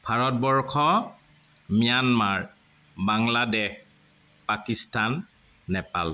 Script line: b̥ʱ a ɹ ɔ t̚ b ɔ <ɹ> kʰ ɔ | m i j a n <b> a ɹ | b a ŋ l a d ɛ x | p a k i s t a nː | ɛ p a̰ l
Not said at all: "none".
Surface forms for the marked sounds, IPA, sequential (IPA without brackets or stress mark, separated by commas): ɹ, m